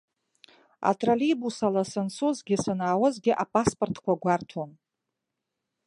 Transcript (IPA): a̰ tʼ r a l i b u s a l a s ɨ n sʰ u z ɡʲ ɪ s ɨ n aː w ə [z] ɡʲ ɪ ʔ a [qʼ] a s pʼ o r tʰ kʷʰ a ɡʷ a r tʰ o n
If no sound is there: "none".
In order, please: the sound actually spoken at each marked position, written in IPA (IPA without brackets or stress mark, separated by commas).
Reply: z, pʼ